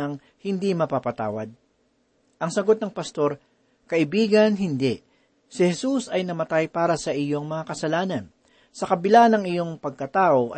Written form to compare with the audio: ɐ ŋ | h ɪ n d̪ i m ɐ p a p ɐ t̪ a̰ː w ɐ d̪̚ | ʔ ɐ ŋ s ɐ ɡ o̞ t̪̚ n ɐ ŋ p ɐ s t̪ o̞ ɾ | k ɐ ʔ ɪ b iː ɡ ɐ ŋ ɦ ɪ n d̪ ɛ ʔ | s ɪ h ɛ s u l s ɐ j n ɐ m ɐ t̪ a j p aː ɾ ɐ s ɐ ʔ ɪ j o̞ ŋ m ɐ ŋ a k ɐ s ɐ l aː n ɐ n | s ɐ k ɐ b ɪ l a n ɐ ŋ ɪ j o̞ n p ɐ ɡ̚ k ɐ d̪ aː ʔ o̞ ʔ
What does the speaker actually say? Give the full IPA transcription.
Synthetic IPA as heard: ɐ ŋ | h ɪ n d̪ i m ɐ p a p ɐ t̪ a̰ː w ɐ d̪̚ | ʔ ɐ ŋ s ɐ ɡ o̞ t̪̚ n ɐ ŋ p ɐ s t̪ o̞ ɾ | k ɐ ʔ ɪ b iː ɡ ɐ n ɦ ɪ n d̪ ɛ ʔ | s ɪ h ɛ s u s ɐ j n ɐ m ɐ t̪ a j p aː ɾ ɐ s ɐ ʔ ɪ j o̞ ŋ m ɐ ŋ a k ɐ s ɐ l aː n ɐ n | s ɐ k ɐ b ɪ l a n ɐ ŋ ɪ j o̞ ŋ p ɐ ɡ̚ k ɐ t̪ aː ʔ o̞ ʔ